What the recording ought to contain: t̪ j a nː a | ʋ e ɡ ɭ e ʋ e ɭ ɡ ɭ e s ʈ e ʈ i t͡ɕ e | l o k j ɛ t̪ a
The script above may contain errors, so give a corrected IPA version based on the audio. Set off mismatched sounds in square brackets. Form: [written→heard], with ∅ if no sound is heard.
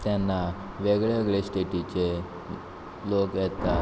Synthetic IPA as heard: t̪ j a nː a | ʋ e ɡ ɭ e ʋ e [ɭ→∅] ɡ ɭ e s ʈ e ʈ i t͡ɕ e | l o k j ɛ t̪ a